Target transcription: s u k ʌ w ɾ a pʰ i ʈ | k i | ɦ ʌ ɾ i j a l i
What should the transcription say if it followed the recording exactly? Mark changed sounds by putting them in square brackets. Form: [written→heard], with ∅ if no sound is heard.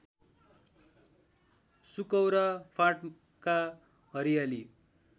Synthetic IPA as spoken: s u k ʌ w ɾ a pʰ [i→a] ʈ | k [i→a] | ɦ ʌ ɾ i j a l i